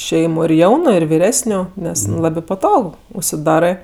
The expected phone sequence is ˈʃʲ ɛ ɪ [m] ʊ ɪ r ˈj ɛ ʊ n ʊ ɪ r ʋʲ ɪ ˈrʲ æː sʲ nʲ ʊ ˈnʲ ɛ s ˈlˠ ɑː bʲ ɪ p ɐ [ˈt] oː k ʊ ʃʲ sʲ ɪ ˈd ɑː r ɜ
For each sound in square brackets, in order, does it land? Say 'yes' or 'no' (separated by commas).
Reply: yes, yes